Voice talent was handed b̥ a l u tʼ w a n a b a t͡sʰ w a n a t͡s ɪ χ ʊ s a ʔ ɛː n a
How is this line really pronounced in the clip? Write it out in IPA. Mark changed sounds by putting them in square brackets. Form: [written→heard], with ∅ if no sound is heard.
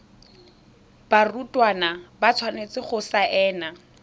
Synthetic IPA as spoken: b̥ a [l→r] u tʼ w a n a b a t͡sʰ w a n [a→e] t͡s ɪ χ ʊ s a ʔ ɛː n a